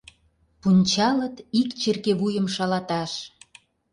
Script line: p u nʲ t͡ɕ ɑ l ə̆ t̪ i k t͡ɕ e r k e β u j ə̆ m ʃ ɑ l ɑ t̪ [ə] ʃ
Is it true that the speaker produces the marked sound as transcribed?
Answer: no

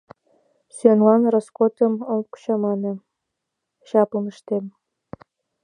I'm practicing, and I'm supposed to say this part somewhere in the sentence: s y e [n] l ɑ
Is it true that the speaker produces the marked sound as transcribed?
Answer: yes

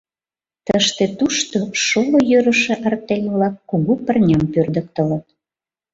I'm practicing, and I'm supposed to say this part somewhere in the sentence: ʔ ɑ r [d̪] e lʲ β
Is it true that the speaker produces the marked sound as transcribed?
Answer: no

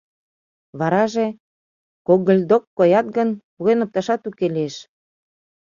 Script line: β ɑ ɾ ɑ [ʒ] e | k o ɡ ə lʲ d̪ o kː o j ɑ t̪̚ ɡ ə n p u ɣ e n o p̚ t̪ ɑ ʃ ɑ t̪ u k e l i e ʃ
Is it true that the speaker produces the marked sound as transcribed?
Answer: yes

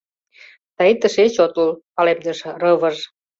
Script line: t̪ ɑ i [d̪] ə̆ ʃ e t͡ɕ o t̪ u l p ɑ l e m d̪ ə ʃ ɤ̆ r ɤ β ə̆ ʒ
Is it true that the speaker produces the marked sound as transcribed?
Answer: no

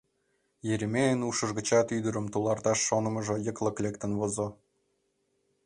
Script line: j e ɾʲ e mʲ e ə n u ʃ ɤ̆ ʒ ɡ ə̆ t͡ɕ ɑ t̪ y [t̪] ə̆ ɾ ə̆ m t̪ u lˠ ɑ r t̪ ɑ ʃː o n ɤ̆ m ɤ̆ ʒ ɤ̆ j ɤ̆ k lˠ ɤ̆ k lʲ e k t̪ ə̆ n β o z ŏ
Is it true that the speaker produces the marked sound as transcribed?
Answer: no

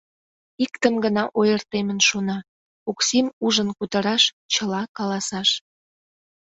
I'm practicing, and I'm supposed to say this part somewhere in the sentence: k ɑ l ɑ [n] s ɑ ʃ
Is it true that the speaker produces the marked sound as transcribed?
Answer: no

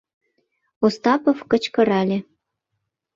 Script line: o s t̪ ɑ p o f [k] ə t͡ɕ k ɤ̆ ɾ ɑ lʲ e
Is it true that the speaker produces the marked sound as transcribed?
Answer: yes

